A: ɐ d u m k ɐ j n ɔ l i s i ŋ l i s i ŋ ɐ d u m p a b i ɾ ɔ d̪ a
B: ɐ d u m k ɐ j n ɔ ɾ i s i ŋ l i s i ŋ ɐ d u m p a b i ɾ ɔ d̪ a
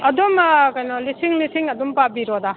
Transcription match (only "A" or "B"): A